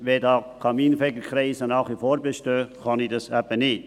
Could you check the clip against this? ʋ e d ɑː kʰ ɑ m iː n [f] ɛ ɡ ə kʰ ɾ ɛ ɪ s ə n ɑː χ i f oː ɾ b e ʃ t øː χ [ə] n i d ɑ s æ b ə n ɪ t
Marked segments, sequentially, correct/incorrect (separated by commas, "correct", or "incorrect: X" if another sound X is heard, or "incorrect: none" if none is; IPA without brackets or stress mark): correct, incorrect: ɑ